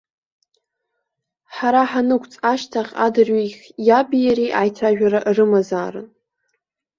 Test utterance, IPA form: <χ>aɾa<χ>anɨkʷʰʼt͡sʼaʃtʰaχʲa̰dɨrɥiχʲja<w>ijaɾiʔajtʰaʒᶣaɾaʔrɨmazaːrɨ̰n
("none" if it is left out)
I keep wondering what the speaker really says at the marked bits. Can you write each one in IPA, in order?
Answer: ħ, ħ, b

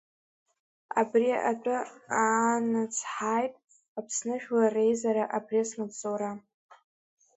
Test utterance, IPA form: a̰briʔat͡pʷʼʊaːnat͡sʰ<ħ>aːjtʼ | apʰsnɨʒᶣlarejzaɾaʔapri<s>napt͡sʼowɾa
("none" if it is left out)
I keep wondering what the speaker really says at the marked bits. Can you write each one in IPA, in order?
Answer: ħ, s

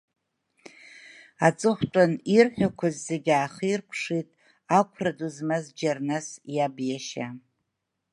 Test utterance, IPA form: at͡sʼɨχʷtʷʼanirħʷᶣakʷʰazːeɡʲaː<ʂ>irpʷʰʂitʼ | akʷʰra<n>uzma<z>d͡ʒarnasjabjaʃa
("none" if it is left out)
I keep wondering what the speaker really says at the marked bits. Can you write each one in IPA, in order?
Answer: χ, d, z

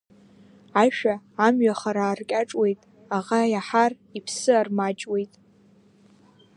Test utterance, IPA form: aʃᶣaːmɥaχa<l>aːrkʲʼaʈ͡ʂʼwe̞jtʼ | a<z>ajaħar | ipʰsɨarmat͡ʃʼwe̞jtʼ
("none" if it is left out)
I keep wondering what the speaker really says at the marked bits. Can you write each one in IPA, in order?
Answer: ɾ, ʁ

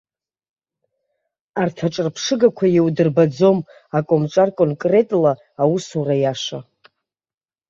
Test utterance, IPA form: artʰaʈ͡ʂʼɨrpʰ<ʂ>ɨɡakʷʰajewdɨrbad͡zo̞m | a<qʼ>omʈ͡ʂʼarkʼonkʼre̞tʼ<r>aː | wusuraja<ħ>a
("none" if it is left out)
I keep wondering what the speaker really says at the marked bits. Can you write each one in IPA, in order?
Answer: ʂ, kʼ, l, ʂ

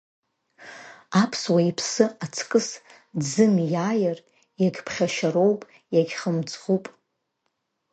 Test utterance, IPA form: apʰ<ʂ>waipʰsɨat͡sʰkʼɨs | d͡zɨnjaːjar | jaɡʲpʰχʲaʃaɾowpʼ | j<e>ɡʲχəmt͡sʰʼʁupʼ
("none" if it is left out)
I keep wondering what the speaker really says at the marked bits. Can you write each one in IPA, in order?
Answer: s, a

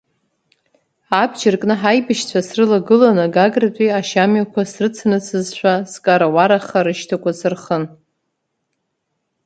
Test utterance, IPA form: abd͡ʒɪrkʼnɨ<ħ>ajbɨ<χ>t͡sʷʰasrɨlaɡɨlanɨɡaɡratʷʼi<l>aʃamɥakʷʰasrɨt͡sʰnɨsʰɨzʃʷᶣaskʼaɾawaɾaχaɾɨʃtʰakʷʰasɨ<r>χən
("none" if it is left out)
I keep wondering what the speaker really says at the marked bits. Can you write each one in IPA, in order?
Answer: ħ, ʃ, none, r

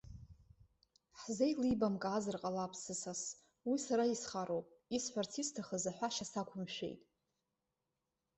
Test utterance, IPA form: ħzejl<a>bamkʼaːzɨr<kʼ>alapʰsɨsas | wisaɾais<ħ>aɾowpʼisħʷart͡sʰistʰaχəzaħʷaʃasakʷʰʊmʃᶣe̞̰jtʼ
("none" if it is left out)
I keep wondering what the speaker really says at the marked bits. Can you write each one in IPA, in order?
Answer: i, qʼ, χ

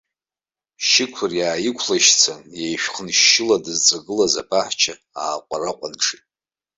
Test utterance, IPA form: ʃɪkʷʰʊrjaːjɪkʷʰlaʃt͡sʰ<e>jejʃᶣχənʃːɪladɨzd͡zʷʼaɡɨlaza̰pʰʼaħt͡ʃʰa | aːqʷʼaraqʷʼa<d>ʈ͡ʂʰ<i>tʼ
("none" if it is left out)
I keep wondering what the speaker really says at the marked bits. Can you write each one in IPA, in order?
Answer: a, n, i

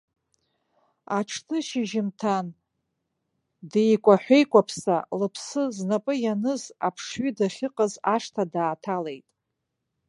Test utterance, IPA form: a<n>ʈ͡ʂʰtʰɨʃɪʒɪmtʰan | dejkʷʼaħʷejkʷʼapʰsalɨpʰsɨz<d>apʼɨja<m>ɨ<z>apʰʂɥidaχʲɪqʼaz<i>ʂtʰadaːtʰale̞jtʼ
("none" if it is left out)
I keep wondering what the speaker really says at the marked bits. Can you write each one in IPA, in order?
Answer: none, n, n, z, a

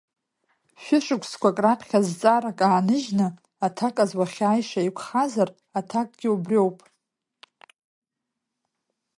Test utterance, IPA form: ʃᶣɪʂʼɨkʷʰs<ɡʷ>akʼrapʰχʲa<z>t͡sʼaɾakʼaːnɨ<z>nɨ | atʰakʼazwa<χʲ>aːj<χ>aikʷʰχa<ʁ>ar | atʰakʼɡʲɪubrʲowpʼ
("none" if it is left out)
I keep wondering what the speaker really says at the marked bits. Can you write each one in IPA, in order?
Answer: kʷ, z, ʒ, χʲ, ʂ, z

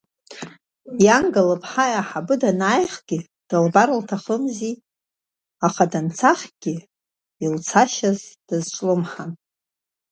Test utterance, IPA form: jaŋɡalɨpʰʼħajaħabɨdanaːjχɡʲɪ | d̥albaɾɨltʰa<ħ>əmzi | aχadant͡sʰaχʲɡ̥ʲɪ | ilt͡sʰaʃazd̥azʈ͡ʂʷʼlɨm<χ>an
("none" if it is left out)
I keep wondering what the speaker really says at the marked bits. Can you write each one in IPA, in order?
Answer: χ, ħ

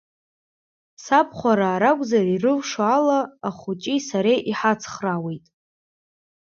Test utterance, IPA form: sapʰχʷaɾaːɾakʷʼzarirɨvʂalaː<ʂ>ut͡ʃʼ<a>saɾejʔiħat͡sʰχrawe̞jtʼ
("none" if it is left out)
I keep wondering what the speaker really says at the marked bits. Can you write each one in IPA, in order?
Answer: χ, i

